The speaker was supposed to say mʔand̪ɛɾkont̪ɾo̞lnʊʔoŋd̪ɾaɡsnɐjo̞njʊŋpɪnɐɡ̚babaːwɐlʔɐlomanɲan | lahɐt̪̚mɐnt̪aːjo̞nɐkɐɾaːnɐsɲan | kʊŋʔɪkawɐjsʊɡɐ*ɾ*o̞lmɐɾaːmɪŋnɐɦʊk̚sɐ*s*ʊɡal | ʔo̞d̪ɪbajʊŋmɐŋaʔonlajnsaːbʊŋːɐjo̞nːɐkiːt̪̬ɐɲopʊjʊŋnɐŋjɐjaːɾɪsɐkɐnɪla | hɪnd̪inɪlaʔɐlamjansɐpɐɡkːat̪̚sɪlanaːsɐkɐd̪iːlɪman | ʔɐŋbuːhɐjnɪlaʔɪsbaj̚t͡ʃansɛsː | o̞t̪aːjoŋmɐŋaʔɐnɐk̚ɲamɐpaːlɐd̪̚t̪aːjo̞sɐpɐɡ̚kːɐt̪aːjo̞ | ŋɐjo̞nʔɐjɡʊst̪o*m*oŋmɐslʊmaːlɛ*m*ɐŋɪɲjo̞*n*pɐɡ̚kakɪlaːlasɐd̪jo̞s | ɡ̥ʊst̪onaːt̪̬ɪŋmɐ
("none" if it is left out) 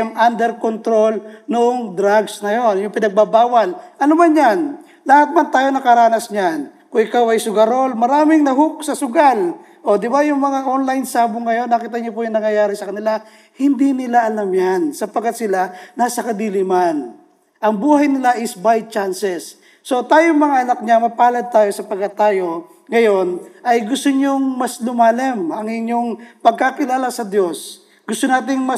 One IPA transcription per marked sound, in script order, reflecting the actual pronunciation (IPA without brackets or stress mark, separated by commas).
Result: ɾ, s, ɲ, m, ŋ